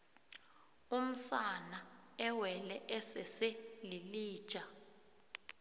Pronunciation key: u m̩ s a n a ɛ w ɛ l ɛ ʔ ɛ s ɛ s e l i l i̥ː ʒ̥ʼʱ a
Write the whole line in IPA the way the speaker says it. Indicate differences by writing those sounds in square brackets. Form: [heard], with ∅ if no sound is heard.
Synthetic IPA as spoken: u m̩ s a n a ɛ w ɛ l ɛ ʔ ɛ s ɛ s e l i l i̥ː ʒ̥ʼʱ a